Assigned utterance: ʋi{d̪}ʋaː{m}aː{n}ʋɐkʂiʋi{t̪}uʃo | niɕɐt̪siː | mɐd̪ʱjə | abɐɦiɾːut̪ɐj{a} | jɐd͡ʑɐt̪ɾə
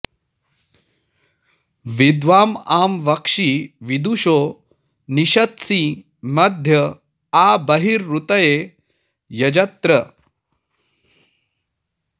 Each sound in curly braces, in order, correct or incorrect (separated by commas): correct, correct, incorrect, incorrect, incorrect